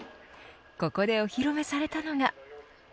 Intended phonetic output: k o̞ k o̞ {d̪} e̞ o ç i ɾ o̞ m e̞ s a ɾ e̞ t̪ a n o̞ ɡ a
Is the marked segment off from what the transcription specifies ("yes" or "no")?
no